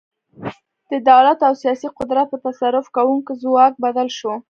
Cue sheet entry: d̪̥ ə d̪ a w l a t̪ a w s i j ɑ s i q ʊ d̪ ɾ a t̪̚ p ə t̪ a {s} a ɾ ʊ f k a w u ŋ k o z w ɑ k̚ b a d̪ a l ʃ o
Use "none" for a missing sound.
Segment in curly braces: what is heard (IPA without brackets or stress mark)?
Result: s